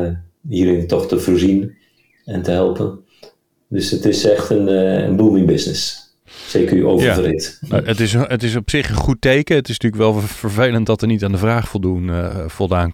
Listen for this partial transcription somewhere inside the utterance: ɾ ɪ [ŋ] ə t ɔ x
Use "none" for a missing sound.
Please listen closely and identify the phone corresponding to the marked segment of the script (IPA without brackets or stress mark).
n